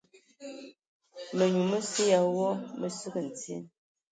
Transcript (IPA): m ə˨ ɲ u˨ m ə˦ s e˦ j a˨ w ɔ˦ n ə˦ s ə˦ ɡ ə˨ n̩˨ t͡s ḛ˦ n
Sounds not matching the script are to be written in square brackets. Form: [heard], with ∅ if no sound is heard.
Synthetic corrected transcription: m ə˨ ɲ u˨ m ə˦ s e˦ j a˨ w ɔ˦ [m] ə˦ s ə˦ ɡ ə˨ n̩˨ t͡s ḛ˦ n